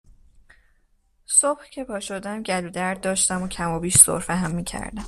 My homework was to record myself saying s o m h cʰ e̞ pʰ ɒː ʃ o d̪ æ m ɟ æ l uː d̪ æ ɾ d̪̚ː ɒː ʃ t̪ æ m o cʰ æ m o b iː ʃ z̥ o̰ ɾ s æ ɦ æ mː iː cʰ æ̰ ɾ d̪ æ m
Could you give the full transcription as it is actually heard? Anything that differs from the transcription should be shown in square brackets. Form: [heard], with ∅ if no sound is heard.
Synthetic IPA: s o [b] h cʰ e̞ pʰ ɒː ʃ o d̪ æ m ɟ æ l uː d̪ æ ɾ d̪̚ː ɒː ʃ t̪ æ m o cʰ æ m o b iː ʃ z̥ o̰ ɾ [f] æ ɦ æ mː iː cʰ æ̰ ɾ d̪ æ m